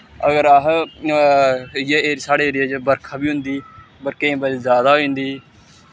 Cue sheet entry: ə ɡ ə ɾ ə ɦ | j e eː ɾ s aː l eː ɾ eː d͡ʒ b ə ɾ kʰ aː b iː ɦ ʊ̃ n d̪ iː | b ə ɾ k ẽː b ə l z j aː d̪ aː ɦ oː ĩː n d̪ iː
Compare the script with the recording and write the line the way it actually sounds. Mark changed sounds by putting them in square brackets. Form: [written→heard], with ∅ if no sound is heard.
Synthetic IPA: ə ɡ ə ɾ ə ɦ | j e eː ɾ s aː [l→ɽ] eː ɾ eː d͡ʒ b ə ɾ kʰ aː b iː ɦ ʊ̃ n d̪ iː | b ə ɾ k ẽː b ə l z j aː d̪ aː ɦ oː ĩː n d̪ iː